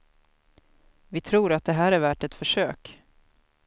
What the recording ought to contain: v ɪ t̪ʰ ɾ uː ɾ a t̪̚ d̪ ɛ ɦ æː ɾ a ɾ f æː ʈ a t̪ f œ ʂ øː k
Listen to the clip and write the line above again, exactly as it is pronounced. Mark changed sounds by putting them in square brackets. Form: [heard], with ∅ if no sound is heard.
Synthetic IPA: v ɪ t̪ʰ ɾ uː ɾ a t̪̚ d̪ ɛ ɦ æː ɾ [æ] ɾ [v] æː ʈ [ɛ] t̪ f œ ʂ øː k